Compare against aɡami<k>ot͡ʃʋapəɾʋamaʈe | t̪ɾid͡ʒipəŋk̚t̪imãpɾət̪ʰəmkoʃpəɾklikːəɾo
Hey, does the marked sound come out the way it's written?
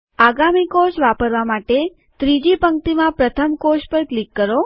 yes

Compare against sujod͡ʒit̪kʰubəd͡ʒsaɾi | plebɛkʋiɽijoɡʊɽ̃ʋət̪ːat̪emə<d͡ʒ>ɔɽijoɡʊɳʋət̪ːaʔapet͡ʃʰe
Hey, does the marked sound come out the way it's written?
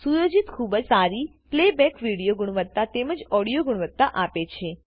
yes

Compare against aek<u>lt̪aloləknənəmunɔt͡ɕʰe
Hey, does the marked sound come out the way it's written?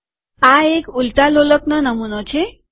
yes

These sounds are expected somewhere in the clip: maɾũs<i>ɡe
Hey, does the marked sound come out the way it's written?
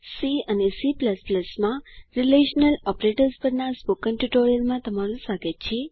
no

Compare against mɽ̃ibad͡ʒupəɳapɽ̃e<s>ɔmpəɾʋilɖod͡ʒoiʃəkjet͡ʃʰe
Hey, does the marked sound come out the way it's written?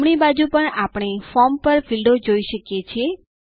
no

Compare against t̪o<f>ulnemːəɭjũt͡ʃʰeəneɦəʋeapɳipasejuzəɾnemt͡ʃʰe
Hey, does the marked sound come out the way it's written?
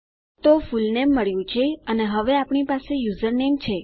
yes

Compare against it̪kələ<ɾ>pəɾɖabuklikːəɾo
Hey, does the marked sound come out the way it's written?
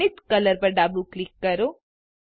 yes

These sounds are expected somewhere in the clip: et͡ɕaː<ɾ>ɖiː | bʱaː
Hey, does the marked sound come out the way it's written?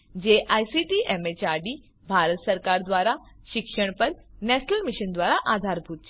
yes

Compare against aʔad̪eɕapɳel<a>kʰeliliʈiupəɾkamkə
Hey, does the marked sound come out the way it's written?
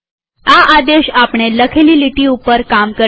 no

